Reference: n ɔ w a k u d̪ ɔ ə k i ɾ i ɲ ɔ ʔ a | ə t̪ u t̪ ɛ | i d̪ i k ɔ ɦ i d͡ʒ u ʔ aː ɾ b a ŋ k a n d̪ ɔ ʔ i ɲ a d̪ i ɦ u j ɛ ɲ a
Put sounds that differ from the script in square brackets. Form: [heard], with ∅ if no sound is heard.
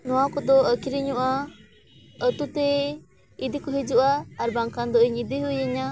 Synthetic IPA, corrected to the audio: n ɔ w a k [ɔ] d̪ ɔ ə k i ɾ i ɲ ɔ ʔ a | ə t̪ u t̪ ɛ | i d̪ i k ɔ ɦ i d͡ʒ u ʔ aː ɾ b a ŋ k a n d̪ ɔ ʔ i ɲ [i] d̪ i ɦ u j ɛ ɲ a